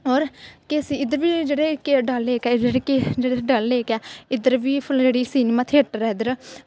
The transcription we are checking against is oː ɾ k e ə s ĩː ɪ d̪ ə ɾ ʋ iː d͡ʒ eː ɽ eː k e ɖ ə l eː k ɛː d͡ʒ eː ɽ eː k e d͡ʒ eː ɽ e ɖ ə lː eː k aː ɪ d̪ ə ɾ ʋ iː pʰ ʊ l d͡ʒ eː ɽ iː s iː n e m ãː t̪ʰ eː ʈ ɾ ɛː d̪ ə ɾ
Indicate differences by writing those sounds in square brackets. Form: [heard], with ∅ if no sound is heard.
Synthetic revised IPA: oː ɾ k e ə s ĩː ɪ d̪ ə ɾ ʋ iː d͡ʒ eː ɽ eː k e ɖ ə l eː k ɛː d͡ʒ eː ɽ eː k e d͡ʒ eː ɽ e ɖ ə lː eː k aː ɪ d̪ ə ɾ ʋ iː pʰ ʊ l d͡ʒ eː ɽ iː s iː n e m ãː t̪ʰ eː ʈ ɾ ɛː d̪ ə ɾ